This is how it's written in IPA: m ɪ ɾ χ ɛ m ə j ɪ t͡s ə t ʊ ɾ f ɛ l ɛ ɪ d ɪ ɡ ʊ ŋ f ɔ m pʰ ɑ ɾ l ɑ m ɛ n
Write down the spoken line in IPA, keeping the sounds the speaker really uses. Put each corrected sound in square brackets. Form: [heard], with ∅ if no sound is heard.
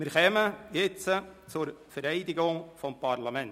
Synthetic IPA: m ɪ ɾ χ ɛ m ə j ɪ t͡s ə [t͡s] ʊ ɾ f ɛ [ɾ] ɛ ɪ d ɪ ɡ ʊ ŋ f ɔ m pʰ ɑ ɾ l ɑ m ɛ n